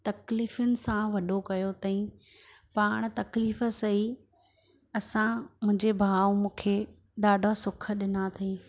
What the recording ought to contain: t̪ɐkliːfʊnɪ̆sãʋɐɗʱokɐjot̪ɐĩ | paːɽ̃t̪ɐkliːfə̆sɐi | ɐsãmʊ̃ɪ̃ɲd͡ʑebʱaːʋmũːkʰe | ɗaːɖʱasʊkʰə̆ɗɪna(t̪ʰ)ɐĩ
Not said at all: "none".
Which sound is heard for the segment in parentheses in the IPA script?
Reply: t̪ʰ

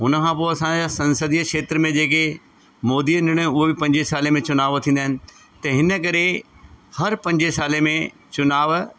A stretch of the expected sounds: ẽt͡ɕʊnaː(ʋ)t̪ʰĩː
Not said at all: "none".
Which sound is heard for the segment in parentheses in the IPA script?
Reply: ʋ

